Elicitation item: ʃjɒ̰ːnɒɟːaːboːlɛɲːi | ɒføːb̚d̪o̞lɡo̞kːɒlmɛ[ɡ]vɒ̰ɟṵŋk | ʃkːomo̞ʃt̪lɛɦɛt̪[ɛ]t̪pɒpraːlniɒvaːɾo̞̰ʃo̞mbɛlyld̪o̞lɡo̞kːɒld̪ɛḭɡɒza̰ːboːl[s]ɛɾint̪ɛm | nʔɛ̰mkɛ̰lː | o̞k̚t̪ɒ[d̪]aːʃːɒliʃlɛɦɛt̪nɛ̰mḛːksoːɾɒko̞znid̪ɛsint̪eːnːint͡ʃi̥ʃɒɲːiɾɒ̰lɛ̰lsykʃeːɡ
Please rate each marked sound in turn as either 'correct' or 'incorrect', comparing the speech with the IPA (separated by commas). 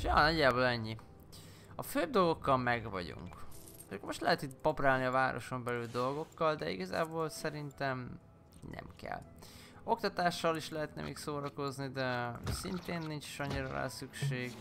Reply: correct, incorrect, correct, incorrect